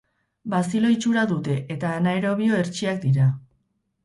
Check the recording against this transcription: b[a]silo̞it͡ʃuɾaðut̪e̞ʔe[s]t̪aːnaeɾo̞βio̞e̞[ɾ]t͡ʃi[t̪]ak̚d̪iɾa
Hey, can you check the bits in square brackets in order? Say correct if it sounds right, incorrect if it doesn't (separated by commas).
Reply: correct, incorrect, correct, incorrect